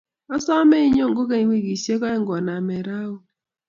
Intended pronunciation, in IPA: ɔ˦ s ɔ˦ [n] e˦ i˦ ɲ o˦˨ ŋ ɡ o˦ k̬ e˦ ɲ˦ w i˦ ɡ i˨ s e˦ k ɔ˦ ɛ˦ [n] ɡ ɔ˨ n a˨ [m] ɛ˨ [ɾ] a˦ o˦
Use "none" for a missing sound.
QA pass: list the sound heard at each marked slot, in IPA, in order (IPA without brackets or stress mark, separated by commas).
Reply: m, ŋ, m, ɾ